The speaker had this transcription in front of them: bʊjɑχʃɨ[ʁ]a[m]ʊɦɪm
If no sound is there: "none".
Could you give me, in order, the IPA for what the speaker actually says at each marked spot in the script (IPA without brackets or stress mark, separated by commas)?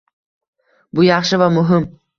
v, m